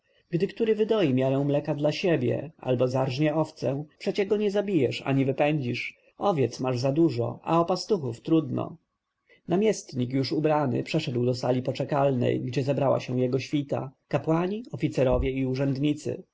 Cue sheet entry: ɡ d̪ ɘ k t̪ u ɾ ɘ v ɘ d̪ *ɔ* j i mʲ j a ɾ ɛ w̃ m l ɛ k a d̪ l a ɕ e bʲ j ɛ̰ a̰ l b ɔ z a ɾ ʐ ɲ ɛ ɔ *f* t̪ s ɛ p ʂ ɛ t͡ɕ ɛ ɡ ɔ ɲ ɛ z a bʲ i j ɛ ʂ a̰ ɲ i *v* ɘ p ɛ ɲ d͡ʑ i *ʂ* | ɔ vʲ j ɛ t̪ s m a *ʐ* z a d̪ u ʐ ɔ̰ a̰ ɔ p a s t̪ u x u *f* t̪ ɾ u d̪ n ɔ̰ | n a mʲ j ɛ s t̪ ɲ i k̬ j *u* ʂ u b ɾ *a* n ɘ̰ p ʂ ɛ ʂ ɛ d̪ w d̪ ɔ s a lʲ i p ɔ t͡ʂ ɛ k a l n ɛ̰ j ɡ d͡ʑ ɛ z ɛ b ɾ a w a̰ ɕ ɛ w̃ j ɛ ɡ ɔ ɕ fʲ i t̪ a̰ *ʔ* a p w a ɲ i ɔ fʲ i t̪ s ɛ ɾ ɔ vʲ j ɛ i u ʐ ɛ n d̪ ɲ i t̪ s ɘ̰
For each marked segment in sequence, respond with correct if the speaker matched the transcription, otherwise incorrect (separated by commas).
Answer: correct, correct, correct, correct, correct, correct, correct, correct, incorrect